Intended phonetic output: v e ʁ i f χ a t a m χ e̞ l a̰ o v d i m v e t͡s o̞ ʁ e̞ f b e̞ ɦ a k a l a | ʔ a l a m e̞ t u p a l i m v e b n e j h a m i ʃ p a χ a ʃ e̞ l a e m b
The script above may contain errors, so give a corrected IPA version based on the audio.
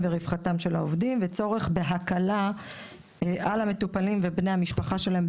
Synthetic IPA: v e ʁ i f χ a t a m ʃ e̞ l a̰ o v d i m v e t͡s o̞ ʁ e̞ χ b e̞ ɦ a k a l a | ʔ a l a m e̞ t u p a l i m v e b n e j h a m i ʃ p a χ a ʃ e̞ l a e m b